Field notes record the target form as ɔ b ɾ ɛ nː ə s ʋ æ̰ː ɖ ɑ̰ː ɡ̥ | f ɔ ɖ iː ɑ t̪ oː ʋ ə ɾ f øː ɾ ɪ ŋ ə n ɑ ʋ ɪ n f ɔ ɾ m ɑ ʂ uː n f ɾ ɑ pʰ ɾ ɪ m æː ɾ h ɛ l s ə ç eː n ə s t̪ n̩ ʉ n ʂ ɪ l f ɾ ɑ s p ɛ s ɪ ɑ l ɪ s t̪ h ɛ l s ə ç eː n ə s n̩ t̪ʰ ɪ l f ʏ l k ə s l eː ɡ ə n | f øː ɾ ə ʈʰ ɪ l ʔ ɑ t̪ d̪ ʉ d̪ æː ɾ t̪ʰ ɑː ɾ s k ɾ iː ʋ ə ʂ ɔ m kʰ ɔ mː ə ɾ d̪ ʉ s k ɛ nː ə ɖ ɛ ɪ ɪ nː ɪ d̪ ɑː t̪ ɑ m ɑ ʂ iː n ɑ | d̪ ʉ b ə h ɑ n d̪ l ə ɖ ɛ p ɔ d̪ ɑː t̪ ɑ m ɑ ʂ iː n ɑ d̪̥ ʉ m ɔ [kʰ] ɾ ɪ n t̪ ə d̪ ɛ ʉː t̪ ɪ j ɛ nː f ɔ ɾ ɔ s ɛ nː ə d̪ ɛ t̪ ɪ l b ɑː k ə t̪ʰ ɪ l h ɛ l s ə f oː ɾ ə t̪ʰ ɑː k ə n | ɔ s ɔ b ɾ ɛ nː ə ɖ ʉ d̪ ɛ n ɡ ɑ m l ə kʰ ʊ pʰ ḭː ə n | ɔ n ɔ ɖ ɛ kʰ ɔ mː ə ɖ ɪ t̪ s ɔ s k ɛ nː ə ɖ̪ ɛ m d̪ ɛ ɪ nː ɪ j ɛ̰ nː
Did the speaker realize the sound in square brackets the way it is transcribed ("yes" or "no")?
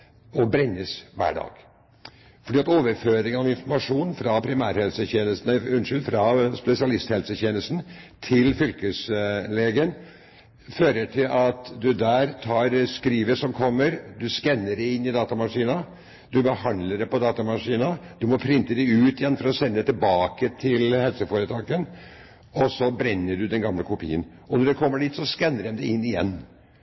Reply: no